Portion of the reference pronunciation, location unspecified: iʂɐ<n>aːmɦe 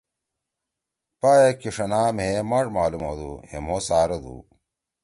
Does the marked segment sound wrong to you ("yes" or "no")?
no